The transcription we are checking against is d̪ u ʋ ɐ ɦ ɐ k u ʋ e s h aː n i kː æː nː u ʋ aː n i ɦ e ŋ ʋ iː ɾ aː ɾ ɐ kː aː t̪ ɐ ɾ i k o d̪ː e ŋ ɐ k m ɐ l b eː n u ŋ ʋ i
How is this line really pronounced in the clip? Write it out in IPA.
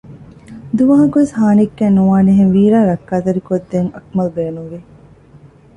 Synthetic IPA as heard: d̪ u ʋ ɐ ɦ ɐ k u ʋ e s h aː n i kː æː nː u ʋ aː n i ɦ e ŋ ʋ iː ɾ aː ɾ ɐ kː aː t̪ ɐ ɾ i k o d̪ː e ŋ ɐ k m ɐ l b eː n u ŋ ʋ i